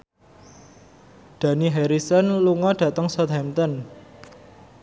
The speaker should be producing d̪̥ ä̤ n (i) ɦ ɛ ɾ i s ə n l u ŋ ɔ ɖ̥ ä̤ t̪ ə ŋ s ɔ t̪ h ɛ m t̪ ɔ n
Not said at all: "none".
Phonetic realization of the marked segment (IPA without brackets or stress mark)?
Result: i